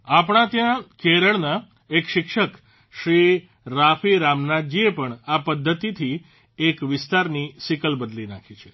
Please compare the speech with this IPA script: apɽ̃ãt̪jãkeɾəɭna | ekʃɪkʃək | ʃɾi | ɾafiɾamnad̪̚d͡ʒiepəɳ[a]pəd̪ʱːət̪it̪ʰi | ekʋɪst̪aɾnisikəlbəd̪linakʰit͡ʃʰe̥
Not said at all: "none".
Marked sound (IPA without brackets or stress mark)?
a